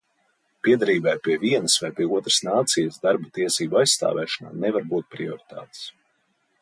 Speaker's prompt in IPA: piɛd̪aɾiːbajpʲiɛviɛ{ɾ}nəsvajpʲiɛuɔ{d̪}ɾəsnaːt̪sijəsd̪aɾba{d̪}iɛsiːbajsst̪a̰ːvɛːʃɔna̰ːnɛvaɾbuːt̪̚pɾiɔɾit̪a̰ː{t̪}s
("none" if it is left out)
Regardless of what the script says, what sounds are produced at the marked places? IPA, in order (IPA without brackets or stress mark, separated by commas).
none, t̪, t̪, t̪